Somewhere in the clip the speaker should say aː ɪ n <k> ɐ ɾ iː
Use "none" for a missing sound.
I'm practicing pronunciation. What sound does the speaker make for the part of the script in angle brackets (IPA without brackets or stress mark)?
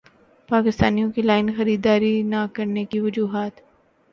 x